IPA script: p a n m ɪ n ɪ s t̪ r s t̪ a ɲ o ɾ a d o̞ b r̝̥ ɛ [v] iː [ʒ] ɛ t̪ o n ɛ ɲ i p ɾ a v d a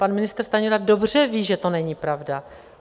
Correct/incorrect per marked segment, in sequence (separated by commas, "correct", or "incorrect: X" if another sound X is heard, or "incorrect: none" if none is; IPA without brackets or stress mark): correct, correct